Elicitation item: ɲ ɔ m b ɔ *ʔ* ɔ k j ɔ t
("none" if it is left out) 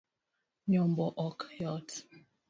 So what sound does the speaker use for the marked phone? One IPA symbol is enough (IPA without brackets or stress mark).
ʔ